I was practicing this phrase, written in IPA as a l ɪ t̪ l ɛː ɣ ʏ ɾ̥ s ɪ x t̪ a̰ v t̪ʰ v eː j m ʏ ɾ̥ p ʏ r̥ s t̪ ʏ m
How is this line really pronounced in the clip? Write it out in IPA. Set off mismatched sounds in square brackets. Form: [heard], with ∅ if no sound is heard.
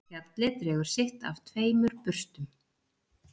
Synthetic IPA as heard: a l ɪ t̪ [ɾ] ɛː ɣ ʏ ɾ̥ s ɪ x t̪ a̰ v t̪ʰ v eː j m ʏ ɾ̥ p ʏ r̥ s t̪ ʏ m